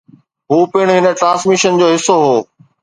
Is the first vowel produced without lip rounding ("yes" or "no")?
no